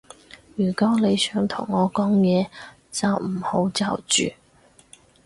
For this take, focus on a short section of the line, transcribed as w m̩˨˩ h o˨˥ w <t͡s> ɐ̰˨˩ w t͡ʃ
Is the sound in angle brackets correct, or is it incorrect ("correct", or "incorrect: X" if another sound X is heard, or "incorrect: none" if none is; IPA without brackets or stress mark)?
correct